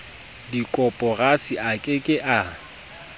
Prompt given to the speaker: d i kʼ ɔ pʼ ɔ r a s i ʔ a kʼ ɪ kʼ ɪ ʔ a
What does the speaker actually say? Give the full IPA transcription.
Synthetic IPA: d i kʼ ɔ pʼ ɔ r a s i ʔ a kʼ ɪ kʼ ɪ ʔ a